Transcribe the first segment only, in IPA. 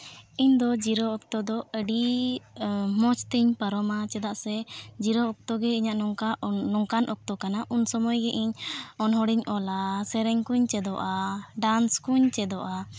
i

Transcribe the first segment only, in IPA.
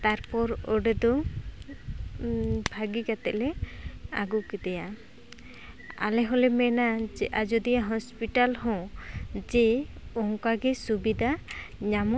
t̪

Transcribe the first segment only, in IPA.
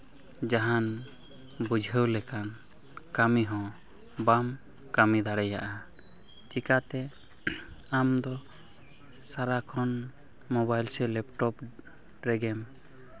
d͡ʒ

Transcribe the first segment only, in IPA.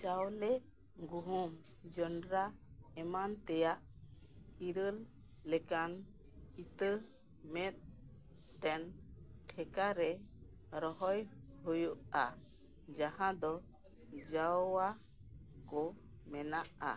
t͡ʃ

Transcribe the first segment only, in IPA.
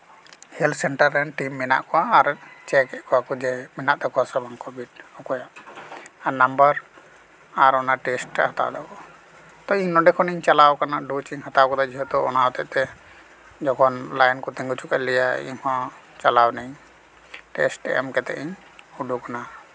h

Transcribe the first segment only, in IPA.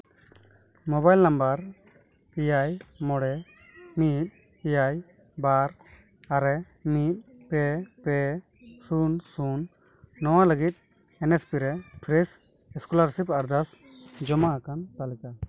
m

